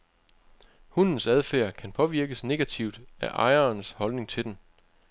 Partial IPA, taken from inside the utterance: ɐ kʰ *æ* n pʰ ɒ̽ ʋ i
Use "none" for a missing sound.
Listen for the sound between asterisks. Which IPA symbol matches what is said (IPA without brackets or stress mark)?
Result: æ